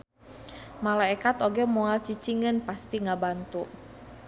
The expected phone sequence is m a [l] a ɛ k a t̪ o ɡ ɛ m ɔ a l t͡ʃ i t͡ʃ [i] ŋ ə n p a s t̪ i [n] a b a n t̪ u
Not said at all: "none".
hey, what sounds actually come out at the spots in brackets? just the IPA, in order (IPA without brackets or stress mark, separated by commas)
l, i, ŋ